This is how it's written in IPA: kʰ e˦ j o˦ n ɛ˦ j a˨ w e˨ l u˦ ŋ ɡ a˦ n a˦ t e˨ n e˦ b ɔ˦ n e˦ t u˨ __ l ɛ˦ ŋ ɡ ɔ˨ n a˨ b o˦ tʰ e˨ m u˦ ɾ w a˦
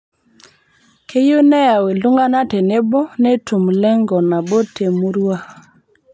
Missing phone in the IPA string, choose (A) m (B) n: A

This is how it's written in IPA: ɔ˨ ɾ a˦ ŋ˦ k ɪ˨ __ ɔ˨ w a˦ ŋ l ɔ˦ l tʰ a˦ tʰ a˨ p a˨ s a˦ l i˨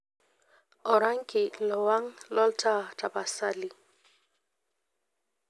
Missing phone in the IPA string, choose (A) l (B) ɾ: A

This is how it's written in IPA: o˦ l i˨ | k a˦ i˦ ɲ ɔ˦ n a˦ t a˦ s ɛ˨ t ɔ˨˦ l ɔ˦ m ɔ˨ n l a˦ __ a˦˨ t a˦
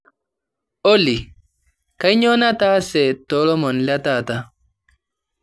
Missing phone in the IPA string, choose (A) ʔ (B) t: B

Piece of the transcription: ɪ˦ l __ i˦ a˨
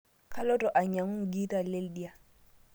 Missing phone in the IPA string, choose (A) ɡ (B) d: B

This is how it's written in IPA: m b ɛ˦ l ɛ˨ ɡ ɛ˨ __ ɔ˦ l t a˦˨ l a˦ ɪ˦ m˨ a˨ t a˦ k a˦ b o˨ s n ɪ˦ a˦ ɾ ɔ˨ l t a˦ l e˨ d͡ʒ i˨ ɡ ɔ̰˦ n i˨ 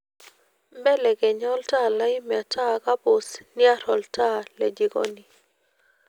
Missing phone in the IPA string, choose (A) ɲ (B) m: A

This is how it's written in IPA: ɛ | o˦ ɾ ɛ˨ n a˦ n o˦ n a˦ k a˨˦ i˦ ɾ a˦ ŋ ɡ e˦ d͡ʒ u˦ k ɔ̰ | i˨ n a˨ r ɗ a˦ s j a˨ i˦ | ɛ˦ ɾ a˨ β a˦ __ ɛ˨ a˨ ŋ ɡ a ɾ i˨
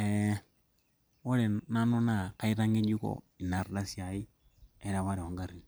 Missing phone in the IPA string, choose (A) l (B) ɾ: B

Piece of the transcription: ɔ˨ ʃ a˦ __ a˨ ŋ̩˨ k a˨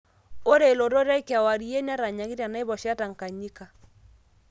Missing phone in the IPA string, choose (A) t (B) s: A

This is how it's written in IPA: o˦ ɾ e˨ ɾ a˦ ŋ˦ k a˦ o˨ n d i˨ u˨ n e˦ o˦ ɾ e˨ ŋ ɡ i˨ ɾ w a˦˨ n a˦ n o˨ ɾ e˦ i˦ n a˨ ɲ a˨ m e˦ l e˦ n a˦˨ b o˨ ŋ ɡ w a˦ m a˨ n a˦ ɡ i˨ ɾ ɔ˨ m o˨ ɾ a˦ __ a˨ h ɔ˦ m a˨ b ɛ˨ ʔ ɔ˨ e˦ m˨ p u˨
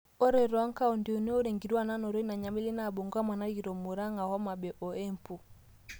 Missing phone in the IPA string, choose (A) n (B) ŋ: B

